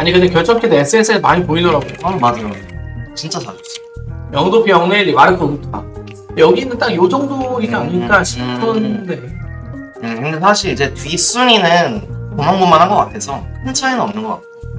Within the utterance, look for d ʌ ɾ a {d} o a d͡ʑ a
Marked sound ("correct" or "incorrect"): incorrect